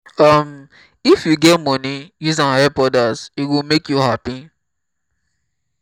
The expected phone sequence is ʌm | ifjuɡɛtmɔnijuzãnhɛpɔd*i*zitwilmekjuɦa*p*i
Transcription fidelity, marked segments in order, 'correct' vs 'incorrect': incorrect: a, correct

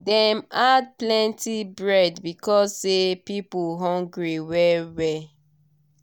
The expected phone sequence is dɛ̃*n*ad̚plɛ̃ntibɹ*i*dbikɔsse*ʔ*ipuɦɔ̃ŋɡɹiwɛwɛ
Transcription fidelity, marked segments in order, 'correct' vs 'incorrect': incorrect: m, incorrect: ɛ, incorrect: p

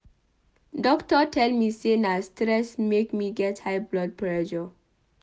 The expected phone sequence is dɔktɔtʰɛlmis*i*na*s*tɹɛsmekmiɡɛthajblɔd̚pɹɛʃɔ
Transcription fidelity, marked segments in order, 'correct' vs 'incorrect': incorrect: e, correct

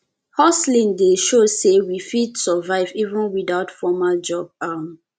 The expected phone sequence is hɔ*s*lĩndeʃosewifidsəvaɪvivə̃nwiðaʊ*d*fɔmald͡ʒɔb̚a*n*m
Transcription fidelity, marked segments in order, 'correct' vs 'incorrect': correct, incorrect: t, incorrect: none

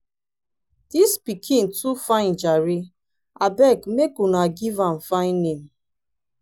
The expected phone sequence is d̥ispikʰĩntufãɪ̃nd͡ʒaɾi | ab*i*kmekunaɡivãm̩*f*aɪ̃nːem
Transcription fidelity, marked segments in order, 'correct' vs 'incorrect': incorrect: ɛ, correct

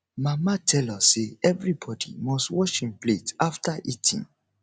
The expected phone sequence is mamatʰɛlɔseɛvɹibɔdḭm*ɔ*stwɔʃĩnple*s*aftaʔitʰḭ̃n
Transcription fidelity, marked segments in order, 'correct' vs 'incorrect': correct, incorrect: t

